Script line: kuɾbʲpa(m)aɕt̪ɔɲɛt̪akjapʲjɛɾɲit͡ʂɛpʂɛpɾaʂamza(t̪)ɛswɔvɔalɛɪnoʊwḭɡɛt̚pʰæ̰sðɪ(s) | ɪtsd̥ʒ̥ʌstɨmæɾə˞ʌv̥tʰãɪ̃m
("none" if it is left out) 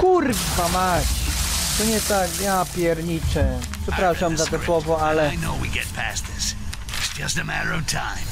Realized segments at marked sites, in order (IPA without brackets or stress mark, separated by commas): m, t̪, s